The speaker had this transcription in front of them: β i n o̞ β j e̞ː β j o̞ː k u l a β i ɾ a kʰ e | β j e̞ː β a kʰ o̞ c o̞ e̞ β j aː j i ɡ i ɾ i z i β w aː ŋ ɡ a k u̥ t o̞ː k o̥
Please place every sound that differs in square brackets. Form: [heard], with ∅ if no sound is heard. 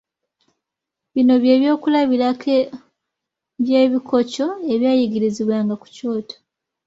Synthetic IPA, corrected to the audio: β i n o̞ β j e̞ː β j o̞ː k u l a β i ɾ a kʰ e | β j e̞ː β [i] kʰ o̞ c o̞ e̞ β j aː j i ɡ i ɾ i z i β w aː ŋ ɡ a k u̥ [c] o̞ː [t] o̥